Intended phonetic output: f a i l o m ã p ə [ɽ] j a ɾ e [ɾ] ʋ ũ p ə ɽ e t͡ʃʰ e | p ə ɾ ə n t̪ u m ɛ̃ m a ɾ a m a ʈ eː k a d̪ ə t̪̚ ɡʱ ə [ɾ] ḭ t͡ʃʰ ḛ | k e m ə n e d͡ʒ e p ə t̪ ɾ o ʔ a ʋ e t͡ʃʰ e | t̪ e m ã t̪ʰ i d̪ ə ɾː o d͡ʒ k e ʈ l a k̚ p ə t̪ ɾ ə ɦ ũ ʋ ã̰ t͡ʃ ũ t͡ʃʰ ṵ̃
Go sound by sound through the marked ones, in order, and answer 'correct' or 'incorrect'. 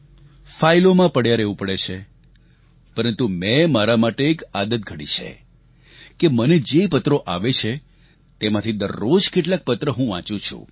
correct, incorrect: none, incorrect: ɽ

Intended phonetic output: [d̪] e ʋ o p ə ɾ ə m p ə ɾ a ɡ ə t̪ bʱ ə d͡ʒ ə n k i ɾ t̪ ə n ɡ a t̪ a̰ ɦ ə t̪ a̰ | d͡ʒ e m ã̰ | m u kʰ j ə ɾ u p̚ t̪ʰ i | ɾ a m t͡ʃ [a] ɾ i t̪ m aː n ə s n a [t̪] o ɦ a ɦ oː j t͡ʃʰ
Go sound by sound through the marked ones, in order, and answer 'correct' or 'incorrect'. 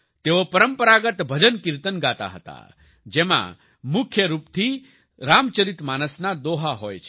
incorrect: t̪, incorrect: ə, incorrect: d̪

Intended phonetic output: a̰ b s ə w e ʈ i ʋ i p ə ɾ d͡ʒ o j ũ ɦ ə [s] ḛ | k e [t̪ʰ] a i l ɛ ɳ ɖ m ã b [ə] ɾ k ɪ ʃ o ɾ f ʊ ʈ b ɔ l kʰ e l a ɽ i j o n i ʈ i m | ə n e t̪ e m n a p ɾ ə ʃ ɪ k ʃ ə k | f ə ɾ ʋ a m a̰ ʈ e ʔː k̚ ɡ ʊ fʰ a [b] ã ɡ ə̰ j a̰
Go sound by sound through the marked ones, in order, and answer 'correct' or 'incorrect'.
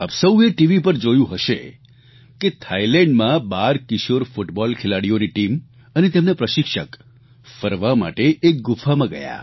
incorrect: ʃ, correct, incorrect: a, incorrect: m

